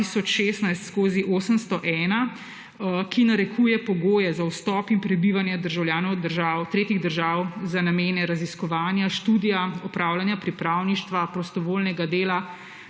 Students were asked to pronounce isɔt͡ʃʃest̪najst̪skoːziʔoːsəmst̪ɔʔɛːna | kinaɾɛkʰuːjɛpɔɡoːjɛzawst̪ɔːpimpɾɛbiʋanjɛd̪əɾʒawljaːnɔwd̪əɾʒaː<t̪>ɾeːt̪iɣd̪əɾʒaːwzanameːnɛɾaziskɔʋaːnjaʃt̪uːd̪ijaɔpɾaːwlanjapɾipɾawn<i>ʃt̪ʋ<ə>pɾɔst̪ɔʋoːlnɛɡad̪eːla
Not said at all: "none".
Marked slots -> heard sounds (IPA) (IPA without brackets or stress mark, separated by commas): t̪, i, a